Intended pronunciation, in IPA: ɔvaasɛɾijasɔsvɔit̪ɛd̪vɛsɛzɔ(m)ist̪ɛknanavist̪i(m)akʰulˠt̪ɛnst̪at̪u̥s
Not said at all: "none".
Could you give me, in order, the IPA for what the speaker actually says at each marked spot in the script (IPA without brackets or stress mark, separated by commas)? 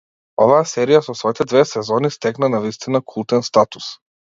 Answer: n, n